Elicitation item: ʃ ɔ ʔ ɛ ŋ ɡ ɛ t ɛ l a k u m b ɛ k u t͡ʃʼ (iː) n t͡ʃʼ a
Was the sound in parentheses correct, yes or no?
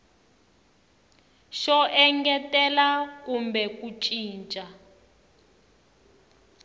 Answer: yes